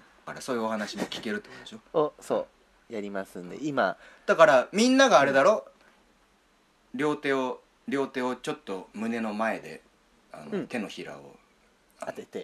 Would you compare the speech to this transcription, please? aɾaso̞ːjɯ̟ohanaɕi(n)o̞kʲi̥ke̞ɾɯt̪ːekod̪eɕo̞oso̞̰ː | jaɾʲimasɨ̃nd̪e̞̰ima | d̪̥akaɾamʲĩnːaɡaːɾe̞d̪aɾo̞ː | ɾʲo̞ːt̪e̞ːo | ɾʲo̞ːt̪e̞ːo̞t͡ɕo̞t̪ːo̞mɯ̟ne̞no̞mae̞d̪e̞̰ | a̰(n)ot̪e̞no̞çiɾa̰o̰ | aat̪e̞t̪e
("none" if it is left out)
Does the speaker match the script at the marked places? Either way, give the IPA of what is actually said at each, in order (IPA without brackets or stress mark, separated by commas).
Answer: m, n